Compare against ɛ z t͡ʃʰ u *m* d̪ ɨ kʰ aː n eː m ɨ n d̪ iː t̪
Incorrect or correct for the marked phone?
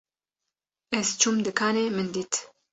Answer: correct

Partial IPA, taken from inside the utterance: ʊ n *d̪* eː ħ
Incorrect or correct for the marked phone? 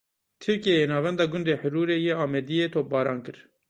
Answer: correct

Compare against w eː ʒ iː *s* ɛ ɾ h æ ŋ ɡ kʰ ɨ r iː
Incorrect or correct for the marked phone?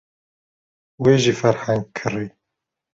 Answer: incorrect: f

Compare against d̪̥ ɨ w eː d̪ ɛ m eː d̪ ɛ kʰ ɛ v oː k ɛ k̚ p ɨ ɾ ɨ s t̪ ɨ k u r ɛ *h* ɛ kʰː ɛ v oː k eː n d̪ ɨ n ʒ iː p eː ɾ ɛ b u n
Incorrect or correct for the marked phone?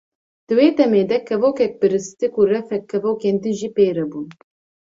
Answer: incorrect: f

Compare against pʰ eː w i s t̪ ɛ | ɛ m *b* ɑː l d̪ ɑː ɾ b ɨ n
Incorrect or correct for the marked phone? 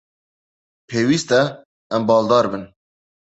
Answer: correct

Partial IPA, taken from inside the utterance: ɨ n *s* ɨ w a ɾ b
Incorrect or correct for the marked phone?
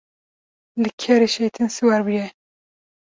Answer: correct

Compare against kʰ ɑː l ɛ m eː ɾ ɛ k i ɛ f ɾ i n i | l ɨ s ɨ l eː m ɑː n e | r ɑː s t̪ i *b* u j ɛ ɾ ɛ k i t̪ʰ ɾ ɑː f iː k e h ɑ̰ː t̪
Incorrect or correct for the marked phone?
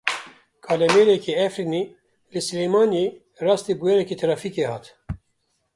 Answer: correct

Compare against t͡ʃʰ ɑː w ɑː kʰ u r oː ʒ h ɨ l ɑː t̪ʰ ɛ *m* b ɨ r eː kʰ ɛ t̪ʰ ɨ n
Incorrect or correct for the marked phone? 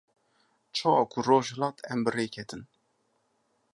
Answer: correct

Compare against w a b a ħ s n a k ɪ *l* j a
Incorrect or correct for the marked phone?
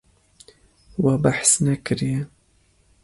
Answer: incorrect: ɾ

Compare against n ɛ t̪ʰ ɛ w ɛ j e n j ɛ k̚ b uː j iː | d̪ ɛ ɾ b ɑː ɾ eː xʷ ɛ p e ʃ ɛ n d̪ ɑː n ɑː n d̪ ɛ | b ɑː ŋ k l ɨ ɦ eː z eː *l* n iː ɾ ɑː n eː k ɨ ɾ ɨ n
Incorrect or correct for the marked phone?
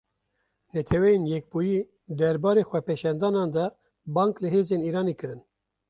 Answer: incorrect: none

